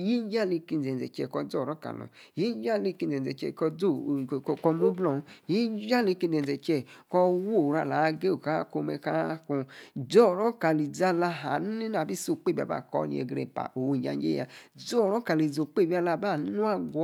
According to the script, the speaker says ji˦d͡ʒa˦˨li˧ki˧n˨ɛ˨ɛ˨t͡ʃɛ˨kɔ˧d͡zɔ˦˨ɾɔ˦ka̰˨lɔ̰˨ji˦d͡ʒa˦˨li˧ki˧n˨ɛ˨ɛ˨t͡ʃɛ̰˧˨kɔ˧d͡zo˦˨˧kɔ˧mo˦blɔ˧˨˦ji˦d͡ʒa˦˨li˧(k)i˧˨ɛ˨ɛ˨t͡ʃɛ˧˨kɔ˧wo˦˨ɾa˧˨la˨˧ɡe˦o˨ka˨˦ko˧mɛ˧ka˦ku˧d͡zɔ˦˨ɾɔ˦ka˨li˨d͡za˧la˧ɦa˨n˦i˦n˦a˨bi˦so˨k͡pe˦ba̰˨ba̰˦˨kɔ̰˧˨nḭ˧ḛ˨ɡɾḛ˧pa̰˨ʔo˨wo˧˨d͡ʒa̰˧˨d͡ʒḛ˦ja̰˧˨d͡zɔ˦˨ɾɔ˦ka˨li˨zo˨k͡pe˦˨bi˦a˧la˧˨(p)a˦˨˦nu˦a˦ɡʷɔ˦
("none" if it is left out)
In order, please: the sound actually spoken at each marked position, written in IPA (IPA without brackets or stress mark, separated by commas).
k, b